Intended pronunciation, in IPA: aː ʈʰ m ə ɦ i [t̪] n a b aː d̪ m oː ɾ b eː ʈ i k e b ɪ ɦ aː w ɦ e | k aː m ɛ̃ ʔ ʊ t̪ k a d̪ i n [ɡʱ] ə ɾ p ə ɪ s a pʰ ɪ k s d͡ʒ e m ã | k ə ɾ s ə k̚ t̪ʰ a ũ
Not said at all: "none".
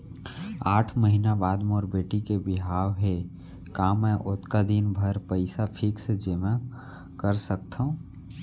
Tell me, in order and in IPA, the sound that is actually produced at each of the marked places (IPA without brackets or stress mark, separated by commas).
none, bʱ